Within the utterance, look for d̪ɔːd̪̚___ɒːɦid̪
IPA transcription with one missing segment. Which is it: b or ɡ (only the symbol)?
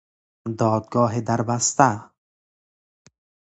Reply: ɡ